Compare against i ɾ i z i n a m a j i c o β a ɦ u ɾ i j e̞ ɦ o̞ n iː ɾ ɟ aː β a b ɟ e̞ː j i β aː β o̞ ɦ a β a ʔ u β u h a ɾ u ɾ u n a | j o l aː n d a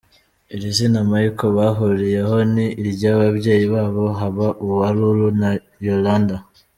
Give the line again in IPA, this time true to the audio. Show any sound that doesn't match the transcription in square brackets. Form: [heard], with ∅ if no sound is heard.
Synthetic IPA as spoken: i ɾ i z i n a m a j i [k] o β a ɦ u ɾ i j e̞ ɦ o̞ n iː ɾ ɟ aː β a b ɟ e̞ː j i β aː β o̞ ɦ a β a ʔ u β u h a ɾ u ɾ u n a | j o l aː n d a